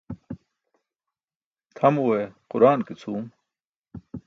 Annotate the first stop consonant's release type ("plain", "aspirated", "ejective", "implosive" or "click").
aspirated